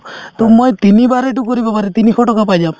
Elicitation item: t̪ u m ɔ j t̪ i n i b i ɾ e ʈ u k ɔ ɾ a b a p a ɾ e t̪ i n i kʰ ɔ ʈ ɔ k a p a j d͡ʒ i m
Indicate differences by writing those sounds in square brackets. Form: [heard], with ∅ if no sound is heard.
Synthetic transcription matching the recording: t̪ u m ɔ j t̪ i n i b [a] ɾ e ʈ u k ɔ ɾ [i] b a p a ɾ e t̪ i n i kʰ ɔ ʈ ɔ k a p a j d͡ʒ [a] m